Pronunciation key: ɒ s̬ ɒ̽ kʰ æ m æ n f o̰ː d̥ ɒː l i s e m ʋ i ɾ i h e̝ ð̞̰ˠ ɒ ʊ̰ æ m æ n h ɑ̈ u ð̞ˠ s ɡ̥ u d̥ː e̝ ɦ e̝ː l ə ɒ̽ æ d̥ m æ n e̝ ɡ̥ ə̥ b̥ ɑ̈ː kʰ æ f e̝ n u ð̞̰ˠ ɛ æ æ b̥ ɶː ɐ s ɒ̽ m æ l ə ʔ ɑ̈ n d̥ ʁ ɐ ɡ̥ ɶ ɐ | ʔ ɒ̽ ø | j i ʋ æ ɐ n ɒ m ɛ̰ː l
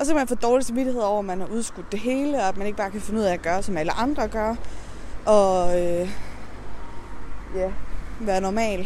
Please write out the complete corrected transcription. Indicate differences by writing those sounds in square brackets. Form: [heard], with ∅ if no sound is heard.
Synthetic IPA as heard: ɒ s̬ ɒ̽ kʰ æ m æ n f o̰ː d̥ ɒː l i s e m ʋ i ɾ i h e̝ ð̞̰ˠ ɒ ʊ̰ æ m æ n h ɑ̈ u ð̞ˠ s ɡ̥ u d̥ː e̝ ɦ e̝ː l ə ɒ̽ æ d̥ m æ n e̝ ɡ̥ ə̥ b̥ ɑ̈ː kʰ æ f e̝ n u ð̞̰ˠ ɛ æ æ [ɡ̥] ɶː ɐ s ɒ̽ m æ l ə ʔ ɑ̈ n d̥ ʁ ɐ ɡ̥ ɶ ɐ | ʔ ɒ̽ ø | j [æ] ʋ [æː] ɐ n ɒ m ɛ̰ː l